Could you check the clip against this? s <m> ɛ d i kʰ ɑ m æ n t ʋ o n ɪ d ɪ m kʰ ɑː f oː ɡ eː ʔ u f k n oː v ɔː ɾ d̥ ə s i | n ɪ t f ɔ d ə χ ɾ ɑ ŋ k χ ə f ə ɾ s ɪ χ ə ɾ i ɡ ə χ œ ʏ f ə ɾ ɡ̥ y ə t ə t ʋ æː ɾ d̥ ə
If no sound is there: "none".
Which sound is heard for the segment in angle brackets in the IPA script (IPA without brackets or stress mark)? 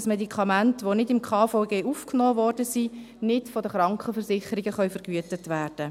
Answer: m